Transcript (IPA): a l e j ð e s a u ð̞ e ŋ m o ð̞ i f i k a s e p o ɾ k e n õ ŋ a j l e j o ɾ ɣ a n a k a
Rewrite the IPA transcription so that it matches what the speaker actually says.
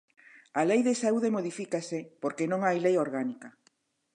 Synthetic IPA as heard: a l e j ð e s a u ð̞ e m o ð̞ i f i k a s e p o ɾ k e n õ ŋ a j l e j o ɾ ɣ a n i k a

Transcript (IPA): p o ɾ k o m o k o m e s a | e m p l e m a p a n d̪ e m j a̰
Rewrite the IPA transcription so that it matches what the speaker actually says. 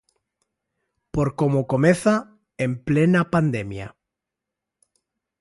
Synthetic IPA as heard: p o ɾ k o m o k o m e θ a | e m p l e n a p a n d̪ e m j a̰

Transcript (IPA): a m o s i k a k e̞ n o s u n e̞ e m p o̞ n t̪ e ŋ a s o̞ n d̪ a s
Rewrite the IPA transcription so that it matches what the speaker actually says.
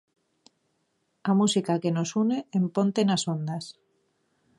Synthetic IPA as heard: a m u s i k a k e̞ n o s u n e̞ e m p o̞ n t̪ e n a s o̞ n d̪ a s

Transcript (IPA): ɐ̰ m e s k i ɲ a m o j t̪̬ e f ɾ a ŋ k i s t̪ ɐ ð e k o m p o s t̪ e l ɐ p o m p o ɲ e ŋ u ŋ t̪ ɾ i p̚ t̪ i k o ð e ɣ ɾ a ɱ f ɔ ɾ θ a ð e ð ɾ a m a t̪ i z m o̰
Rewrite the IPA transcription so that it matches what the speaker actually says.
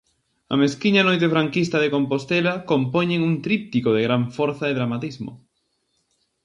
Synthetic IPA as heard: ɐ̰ m e s k i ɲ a n o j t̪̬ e f ɾ a ŋ k i s t̪ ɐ ð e k o m p o s t̪ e l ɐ k o m p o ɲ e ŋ u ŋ t̪ ɾ i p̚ t̪ i k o ð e ɣ ɾ a ɱ f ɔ ɾ θ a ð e ð ɾ a m a t̪ i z m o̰

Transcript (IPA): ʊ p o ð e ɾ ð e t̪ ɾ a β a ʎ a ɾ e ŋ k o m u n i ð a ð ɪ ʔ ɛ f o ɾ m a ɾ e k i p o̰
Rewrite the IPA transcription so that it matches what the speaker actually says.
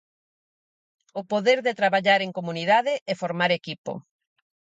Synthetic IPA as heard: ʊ p o ð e ɾ ð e t̪ ɾ a β a ʎ a ɾ e ŋ k o m u n i ð a ð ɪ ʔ ɛ f o ɾ m a ɾ e k i p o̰

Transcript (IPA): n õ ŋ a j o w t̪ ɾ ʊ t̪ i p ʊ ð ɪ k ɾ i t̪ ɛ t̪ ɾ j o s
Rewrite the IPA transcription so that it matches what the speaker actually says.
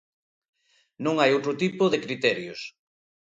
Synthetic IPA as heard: n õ ŋ a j o w t̪ ɾ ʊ t̪ i p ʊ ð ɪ k ɾ i t̪ ɛ ɾ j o s

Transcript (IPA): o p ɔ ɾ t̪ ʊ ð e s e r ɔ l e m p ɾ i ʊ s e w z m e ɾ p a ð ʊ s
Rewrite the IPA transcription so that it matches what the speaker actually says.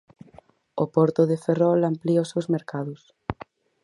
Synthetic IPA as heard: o p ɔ ɾ t̪ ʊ ð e f e r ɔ l a m p l i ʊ s e w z m e ɾ k a ð ʊ s

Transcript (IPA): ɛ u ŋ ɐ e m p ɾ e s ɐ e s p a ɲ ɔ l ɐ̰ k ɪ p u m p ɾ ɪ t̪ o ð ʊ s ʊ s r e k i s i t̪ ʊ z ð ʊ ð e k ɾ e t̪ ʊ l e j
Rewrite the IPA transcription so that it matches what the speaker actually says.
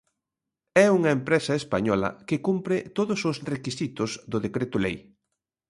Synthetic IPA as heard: ɛ u ŋ ɐ e m p ɾ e s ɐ e s p a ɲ ɔ l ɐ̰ k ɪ k u m p ɾ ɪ t̪ o ð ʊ s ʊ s r e k i s i t̪ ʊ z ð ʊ ð e k ɾ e t̪ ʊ l e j

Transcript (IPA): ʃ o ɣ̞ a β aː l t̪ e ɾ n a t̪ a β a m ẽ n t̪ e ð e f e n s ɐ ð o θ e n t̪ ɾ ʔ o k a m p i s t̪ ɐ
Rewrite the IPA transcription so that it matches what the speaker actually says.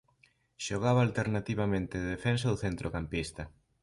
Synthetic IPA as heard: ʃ o ɣ̞ a β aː l t̪ e ɾ n a t̪ i β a m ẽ n t̪ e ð e f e n s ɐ ð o θ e n t̪ ɾ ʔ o k a m p i s t̪ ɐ

